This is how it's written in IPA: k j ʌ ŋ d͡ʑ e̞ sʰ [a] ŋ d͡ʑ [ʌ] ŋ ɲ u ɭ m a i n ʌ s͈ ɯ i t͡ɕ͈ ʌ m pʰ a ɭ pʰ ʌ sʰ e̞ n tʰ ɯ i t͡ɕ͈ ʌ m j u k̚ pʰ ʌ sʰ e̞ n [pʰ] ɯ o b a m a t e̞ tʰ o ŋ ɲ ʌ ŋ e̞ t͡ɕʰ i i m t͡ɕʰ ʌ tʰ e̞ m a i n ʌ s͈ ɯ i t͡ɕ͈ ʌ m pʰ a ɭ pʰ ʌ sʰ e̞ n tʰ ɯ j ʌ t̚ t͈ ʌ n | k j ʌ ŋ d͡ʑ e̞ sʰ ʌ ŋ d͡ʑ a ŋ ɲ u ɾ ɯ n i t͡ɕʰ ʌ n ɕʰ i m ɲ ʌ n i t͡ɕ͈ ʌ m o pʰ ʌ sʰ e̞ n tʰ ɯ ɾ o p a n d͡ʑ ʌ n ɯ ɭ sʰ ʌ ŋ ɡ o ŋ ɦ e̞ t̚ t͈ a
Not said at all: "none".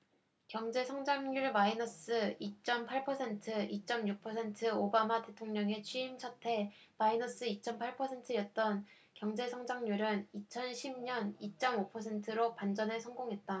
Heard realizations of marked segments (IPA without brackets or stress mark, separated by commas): ʌ, a, tʰ